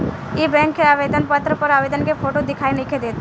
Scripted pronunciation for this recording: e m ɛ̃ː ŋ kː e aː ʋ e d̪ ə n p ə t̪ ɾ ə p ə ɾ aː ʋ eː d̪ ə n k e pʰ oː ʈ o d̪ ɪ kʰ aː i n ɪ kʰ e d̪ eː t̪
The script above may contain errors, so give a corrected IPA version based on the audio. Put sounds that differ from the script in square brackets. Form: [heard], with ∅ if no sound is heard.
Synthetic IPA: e [b] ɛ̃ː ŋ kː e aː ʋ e d̪ ə n p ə t̪ ɾ ə p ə ɾ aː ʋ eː d̪ ə n k e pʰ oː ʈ o d̪ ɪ kʰ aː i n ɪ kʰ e d̪ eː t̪